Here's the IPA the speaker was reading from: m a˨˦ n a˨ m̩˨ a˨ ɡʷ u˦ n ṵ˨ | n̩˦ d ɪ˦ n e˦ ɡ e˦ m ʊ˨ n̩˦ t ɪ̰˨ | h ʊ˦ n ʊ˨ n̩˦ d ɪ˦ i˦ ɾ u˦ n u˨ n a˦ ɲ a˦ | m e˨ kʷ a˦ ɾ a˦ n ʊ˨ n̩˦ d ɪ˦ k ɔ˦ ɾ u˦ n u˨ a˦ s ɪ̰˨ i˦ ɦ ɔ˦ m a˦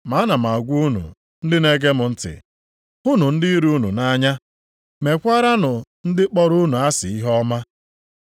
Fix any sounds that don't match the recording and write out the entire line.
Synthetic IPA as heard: m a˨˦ n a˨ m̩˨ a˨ ɡʷ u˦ n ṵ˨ | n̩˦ d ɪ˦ n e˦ ɡ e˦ m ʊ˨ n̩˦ t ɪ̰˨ | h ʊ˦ n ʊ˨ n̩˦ d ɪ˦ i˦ ɾ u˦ n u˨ n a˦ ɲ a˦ | m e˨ kʷ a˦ ɾ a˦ n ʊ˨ n̩˦ d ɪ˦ k͡p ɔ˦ ɾ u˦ n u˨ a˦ s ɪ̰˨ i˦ ɦ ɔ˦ m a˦

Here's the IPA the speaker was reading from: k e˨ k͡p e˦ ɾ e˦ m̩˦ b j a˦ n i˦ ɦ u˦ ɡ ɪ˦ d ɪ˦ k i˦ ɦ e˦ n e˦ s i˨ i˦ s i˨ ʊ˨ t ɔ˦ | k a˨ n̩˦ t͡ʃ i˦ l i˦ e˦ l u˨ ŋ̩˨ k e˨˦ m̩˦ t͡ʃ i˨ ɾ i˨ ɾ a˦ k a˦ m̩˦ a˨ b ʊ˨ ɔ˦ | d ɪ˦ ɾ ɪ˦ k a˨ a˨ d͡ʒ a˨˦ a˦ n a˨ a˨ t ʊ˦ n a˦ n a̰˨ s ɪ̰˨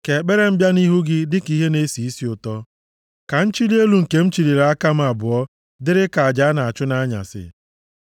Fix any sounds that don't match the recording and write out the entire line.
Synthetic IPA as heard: k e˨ k͡p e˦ ɾ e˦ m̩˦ b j a˦ n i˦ ɦ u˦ ɡ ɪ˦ d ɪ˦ k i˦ ɦ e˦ n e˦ s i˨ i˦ s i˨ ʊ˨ t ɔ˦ | k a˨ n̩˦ t͡ʃ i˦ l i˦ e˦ l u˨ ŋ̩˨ k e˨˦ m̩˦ t͡ʃ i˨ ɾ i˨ ɾ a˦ k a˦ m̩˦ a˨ b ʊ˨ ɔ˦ | d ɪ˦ ɾ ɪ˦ k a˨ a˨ d͡ʒ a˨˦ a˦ n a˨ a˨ t͡ʃ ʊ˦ n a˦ ɲ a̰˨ s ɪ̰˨

